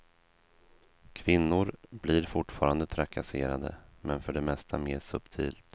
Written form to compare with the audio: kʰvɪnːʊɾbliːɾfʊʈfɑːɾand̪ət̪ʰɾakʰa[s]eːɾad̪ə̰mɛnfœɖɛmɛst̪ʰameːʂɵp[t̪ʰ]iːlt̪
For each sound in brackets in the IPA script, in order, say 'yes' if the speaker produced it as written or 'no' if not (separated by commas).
yes, yes